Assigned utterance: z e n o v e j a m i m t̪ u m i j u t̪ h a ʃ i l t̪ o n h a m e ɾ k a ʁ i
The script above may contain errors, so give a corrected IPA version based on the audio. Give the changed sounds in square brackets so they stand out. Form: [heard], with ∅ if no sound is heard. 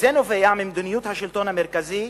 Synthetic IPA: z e n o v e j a m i m [d̪] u [n] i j u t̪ h a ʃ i l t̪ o n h a m e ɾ k a [z] i